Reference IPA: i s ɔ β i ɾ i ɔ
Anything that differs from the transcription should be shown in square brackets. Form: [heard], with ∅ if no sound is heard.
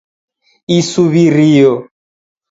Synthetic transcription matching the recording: i s [u] β i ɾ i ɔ